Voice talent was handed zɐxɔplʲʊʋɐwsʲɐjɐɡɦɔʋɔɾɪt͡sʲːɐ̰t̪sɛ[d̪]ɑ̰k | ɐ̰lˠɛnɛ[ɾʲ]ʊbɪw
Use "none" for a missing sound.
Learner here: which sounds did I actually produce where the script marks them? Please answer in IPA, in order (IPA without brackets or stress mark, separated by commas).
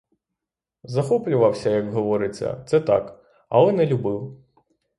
t̪, lʲ